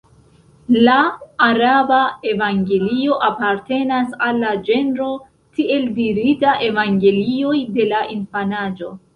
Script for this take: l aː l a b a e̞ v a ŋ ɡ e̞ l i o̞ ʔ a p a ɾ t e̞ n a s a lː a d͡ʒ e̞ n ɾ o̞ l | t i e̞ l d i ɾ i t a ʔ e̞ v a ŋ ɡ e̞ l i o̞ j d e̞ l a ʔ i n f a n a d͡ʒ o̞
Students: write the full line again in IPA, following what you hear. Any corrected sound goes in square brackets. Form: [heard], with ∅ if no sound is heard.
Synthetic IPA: l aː [ɾ] a b a e̞ v a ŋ ɡ e̞ l i o̞ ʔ a p a ɾ t e̞ n a s a lː a d͡ʒ e̞ n ɾ o̞ [∅] | t i e̞ l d i ɾ i t a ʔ e̞ v a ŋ ɡ e̞ l i o̞ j d e̞ l a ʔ i n f a n a d͡ʒ o̞